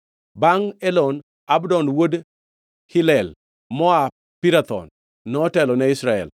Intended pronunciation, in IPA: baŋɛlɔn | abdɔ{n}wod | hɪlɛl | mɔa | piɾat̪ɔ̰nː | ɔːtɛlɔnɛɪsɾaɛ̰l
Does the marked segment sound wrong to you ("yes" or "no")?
no